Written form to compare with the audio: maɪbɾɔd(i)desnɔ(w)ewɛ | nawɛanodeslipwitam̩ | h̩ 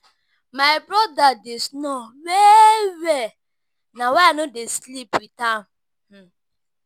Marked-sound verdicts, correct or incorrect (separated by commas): incorrect, correct